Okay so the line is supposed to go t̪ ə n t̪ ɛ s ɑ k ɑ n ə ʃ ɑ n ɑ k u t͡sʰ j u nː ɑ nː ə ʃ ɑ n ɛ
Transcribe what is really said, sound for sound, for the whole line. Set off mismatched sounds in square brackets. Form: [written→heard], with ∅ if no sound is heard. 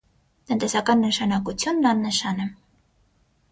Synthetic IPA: t̪ ə n t̪ ɛ s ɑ k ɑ [n→nː] ə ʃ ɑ n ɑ k u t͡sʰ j u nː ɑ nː ə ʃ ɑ n ɛ